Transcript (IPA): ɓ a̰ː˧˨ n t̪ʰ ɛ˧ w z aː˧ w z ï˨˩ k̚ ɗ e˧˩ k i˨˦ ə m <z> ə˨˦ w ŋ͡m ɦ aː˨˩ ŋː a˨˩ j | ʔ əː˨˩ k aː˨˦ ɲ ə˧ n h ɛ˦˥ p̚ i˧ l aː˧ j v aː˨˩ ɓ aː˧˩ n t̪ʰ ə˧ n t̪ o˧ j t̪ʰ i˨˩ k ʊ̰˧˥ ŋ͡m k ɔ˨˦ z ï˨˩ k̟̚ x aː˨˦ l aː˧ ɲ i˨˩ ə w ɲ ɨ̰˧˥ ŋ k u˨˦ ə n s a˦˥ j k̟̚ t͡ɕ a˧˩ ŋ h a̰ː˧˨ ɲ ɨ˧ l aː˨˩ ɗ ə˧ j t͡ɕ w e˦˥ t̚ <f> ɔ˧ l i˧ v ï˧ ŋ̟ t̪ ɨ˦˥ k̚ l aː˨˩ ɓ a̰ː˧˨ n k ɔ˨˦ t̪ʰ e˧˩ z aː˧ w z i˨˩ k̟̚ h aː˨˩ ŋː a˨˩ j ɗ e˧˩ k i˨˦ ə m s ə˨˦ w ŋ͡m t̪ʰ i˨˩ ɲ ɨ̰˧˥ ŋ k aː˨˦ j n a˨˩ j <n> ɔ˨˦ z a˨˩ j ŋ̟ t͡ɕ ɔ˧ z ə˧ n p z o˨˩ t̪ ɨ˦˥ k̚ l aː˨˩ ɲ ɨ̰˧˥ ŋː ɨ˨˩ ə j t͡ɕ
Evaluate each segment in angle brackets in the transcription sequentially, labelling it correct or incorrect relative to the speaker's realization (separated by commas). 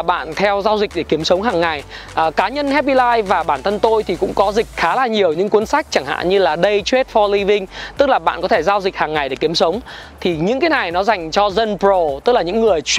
incorrect, correct, correct